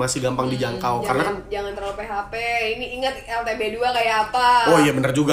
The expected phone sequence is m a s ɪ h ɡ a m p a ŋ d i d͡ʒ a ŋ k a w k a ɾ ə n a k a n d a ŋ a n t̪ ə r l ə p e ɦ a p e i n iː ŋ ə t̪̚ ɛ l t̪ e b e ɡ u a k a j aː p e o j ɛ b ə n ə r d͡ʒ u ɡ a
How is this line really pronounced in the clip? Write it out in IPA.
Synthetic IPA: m a s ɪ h ɡ a m p a ŋ d i d͡ʒ a ŋ k a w k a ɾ ə n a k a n d͡ʒ a ŋ a n t̪ ə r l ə p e ɦ a p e i n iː ŋ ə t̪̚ ɛ l t̪ e b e d u a k a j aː p a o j a b ə n ə r d͡ʒ u ɡ a